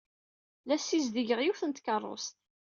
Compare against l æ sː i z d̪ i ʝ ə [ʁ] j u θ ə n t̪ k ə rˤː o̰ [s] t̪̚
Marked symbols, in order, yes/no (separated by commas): yes, yes